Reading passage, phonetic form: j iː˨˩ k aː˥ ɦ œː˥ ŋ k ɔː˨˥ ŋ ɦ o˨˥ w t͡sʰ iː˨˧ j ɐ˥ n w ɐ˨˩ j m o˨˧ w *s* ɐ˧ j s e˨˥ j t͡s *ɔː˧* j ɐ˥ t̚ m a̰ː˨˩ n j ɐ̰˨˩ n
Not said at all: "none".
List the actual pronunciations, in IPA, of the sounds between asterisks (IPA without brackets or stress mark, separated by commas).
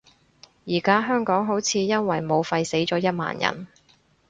f, ɔː˨˥